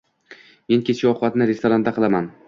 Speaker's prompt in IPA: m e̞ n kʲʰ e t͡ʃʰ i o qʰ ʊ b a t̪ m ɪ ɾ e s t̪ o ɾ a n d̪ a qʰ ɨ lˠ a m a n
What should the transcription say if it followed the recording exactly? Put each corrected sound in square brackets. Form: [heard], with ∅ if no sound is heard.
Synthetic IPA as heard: m e̞ n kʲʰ e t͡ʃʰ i [ɒ] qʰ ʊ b a t̪ [n] ɪ ɾ e s t̪ o ɾ a n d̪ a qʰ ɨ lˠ a m a n